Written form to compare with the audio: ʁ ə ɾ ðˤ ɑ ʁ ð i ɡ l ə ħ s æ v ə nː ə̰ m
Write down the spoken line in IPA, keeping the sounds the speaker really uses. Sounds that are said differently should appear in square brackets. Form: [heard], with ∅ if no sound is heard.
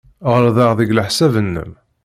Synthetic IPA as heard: ʁ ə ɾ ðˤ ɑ ʁ ð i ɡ l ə ħ s æ v ə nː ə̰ m